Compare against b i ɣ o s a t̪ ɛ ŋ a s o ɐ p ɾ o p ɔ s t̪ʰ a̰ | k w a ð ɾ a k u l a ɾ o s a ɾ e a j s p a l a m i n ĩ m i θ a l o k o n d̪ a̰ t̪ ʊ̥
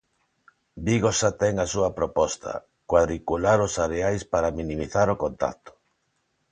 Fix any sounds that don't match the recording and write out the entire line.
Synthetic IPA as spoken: b i ɣ o s a t̪ ɛ ŋ a s u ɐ p ɾ o p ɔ s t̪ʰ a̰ | k w a ð ɾ i k u l a ɾ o s a ɾ e a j s p a ɾ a m i n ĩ m i θ a ɾ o k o n t̪ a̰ t̪ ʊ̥